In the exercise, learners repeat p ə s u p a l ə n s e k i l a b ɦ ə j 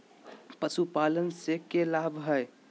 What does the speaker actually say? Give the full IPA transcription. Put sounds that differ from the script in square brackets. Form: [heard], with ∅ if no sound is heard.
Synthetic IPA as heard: p ə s u p a l ə n s e k [e] l a b ɦ ə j